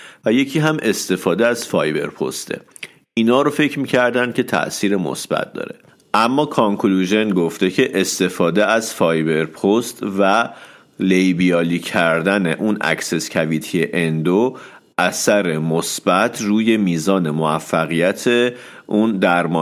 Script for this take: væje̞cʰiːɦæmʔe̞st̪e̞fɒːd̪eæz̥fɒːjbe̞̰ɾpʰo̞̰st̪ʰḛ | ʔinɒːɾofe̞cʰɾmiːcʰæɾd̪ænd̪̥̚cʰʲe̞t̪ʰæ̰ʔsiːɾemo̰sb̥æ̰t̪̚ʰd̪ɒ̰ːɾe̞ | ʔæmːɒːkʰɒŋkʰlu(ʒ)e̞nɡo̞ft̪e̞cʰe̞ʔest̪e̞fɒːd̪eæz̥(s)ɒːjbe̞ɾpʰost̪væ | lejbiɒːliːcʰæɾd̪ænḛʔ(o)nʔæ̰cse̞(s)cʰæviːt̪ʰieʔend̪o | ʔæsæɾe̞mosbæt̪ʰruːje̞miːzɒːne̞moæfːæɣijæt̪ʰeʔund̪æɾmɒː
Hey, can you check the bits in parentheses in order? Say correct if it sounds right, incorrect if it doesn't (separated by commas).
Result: correct, incorrect, incorrect, correct